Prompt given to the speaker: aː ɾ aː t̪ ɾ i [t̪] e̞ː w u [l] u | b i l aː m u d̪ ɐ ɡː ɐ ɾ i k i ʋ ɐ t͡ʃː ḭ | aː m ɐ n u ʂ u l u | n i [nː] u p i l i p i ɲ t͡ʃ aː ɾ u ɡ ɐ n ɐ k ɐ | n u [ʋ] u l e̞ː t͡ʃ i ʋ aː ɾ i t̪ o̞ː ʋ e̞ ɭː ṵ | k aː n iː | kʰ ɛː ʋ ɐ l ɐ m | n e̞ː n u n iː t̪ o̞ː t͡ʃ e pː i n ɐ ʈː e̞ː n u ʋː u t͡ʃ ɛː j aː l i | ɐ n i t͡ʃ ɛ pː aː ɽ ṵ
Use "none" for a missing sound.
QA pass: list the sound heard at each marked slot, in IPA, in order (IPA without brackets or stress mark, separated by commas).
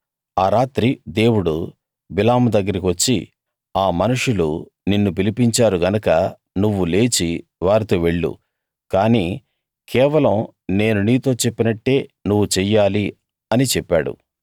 d̪, ɽ, nː, ʋː